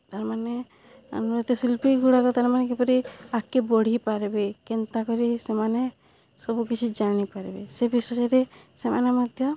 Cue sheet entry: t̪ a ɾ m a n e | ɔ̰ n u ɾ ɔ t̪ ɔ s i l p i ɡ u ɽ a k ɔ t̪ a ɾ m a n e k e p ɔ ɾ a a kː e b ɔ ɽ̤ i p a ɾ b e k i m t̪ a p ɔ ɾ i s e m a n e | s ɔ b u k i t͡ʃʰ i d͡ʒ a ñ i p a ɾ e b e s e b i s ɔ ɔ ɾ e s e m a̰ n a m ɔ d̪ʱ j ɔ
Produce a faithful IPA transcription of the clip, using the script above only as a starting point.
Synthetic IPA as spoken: t̪ a ɾ m a n e | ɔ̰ n u ɾ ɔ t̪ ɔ s i l p i ɡ u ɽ a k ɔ t̪ a ɾ m a n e k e p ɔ ɾ i a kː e b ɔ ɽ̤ i p a ɾ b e k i n t̪ a k ɔ ɾ i s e m a n e | s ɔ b u k i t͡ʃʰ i d͡ʒ a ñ i p a ɾ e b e s e b i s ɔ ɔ ɾ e s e m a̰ n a m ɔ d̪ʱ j ɔ